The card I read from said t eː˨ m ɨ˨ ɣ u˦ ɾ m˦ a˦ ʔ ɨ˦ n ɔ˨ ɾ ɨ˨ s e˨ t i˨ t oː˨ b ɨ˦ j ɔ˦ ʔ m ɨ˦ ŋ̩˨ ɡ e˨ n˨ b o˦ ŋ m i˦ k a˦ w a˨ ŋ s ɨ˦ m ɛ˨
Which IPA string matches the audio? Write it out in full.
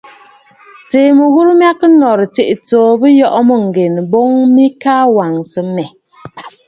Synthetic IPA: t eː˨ m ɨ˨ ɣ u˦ ɾ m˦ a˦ k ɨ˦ n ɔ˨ ɾ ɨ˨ t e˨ ʔ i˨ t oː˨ b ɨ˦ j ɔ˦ ʔ m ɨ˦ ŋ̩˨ ɡ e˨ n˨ b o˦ ŋ m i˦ k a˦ w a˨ ŋ s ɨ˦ m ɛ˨